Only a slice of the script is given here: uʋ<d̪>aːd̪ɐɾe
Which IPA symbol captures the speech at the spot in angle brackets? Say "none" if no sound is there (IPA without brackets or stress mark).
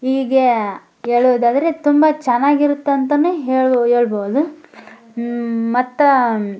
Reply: d̪